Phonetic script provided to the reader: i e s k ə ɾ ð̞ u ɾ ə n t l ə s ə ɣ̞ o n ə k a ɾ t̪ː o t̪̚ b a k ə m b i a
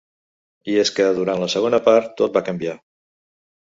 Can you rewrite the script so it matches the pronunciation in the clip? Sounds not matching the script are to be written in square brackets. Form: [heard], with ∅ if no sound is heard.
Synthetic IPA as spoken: i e s k ə [∅] ð̞ u ɾ [a] n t l ə s ə ɣ̞ o n ə [p] a ɾ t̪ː o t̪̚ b a k ə m b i a